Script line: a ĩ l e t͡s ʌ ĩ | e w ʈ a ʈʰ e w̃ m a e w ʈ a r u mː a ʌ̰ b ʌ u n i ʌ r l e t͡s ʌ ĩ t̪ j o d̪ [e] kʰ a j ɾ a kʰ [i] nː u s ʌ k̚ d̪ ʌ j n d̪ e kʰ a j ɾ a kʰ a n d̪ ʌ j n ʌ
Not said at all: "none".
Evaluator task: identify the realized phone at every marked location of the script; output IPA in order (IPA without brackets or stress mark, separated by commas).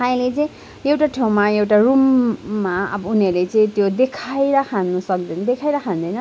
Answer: e, a